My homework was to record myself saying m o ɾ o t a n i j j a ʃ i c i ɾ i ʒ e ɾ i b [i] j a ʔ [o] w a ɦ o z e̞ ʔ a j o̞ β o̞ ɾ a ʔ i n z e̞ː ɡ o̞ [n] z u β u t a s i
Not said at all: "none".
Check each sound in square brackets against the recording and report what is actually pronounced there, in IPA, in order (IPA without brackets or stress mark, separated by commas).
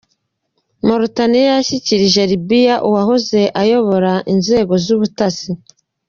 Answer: i, u, none